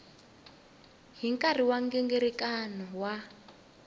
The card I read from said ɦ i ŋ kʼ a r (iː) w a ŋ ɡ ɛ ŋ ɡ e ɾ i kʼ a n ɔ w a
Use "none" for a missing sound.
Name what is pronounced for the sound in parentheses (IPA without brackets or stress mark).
i